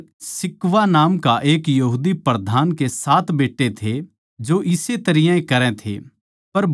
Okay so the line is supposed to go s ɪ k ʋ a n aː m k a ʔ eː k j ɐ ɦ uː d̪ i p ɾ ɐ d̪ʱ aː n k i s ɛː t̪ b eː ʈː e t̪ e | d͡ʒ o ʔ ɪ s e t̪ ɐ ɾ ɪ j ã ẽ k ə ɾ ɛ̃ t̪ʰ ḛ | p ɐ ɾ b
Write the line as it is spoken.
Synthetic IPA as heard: s ɪ k ʋ a n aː m k a ʔ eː k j ɐ ɦ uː d̪ i p ɾ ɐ d̪ʱ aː n k e s aː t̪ b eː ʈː e t̪ʰ e | d͡ʒ o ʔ ɪ s e t̪ ɐ ɾ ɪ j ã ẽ k ɐ ɾ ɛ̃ t̪ʰ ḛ | p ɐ ɾ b